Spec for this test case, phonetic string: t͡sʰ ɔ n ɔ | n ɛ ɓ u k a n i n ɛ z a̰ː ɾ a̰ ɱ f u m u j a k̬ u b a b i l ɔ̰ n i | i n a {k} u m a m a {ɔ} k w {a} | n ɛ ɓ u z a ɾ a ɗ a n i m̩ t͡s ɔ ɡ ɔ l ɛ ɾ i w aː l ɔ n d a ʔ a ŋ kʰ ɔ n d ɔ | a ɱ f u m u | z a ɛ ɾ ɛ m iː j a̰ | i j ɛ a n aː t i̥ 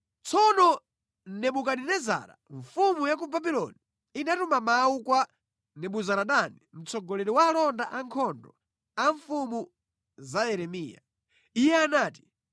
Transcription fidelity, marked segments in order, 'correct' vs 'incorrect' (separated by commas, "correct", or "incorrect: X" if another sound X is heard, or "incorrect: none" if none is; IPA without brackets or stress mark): incorrect: t, incorrect: u, correct